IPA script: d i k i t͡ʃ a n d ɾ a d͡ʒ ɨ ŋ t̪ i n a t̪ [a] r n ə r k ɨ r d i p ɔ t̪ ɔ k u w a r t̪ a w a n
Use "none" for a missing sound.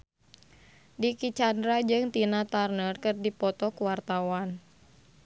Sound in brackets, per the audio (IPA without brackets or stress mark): a